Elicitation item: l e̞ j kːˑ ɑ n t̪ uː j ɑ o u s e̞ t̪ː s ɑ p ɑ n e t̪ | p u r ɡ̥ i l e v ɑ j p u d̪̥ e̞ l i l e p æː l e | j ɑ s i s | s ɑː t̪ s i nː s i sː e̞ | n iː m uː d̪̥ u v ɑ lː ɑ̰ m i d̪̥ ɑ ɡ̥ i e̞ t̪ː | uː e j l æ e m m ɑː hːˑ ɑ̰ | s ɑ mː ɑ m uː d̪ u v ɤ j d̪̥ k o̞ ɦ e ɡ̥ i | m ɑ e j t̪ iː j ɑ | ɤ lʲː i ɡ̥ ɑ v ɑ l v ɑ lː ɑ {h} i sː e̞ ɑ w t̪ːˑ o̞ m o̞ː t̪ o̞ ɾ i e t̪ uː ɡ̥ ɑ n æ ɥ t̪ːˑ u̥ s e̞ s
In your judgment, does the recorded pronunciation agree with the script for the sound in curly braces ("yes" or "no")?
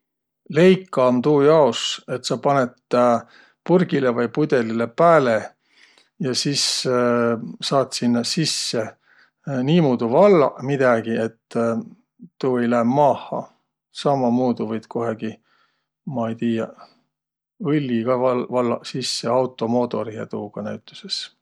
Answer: no